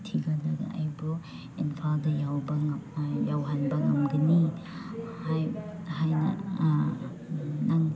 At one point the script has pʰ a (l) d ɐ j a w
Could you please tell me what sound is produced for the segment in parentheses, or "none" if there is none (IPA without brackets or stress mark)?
l